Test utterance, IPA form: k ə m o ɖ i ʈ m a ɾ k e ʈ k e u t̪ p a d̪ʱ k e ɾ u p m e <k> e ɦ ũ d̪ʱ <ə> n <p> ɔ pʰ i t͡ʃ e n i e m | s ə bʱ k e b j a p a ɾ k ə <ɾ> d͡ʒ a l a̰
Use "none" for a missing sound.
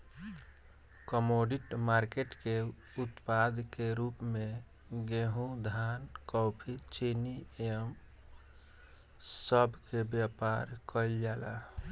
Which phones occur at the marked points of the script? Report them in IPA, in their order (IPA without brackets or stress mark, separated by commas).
ɡ, a, k, l